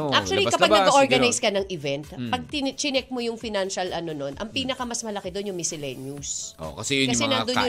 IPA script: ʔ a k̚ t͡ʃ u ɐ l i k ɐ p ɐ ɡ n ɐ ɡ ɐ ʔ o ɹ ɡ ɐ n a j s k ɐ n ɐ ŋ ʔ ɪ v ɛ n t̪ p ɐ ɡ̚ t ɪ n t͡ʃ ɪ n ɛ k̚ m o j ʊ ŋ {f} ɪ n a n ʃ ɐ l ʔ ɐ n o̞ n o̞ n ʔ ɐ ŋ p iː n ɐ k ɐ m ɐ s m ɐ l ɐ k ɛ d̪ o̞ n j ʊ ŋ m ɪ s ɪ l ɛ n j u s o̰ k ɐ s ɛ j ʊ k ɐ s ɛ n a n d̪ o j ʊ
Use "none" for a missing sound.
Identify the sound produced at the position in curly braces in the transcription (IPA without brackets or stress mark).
f